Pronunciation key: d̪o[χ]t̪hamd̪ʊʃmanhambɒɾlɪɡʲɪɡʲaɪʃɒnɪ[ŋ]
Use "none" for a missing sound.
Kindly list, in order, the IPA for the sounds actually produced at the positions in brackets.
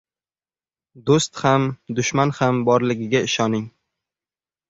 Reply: s, ŋ

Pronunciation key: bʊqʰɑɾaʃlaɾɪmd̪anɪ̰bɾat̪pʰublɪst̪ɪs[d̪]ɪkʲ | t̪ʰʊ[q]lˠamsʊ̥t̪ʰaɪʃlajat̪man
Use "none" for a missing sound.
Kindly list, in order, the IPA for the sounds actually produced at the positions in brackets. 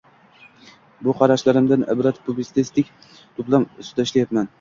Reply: t̪, p

